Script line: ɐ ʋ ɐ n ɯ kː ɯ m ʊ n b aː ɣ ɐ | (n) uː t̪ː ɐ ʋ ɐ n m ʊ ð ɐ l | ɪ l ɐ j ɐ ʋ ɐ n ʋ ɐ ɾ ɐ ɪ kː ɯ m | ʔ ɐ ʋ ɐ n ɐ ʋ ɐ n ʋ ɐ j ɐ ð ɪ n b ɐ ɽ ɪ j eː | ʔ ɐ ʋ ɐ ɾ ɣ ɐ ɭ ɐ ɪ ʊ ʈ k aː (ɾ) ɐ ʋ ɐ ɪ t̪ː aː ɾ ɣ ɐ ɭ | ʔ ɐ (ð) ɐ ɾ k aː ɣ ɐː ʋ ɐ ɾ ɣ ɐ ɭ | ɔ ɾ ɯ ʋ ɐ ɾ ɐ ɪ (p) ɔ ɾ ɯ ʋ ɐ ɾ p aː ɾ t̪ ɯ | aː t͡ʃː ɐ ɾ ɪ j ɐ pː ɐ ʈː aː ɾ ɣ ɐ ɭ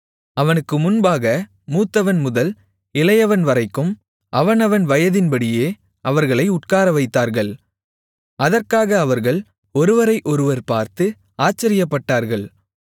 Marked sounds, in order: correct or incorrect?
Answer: incorrect, correct, correct, incorrect

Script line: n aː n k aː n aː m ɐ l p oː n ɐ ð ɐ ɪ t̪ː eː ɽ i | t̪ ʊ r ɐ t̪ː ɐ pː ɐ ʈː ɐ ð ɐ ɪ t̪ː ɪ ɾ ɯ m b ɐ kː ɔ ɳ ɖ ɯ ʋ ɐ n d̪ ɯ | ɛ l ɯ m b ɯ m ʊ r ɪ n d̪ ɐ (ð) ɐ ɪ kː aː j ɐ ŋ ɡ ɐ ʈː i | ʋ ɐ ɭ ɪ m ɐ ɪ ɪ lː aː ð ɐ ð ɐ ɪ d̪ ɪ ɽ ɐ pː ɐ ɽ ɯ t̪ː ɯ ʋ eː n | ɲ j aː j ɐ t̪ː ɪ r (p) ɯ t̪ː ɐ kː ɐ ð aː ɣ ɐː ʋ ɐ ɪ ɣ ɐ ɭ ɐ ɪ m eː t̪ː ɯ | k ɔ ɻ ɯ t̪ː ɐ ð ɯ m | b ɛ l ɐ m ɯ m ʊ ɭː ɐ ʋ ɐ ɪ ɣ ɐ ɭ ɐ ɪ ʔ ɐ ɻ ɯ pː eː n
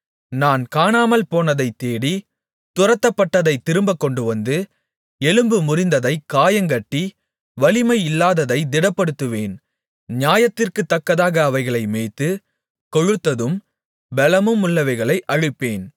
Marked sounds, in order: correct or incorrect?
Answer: correct, incorrect

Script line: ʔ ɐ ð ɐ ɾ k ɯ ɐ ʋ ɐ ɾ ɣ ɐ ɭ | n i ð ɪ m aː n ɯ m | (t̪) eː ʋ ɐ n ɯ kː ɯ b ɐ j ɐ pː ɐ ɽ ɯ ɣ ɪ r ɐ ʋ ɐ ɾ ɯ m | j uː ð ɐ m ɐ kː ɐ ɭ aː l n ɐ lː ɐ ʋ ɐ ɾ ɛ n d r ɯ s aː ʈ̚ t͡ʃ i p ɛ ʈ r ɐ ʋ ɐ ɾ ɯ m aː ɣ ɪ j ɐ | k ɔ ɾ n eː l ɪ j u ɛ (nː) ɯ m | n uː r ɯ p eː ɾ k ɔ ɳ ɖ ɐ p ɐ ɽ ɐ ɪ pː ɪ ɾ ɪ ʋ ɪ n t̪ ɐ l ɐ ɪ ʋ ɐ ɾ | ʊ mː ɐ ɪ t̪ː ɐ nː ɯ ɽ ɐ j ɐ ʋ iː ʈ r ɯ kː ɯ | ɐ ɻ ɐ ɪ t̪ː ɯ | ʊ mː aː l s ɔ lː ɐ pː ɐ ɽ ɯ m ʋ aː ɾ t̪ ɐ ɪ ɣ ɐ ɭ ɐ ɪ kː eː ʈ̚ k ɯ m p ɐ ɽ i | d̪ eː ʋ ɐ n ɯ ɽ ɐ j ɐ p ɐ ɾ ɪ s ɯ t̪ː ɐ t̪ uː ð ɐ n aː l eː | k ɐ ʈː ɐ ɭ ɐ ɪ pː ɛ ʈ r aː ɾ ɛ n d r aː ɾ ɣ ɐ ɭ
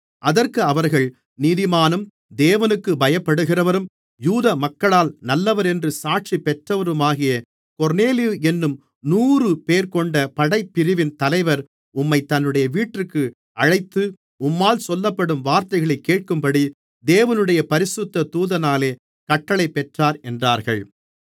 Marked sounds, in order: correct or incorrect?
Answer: incorrect, correct

